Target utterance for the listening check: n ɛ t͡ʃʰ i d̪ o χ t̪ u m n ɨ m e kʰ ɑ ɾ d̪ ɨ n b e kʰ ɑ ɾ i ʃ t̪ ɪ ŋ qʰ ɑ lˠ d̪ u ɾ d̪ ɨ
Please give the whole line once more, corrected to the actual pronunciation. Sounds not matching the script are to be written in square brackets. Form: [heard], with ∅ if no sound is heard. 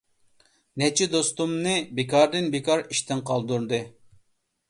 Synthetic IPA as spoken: n ɛ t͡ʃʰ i d̪ o [s] t̪ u m n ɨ [b] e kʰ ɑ ɾ d̪ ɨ n b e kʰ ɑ ɾ i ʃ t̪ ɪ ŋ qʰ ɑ lˠ d̪ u ɾ d̪ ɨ